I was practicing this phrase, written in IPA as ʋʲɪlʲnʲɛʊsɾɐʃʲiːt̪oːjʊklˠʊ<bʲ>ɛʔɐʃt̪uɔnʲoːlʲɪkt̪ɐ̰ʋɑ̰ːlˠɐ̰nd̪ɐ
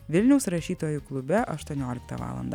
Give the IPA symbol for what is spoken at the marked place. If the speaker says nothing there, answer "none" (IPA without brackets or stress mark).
bʲ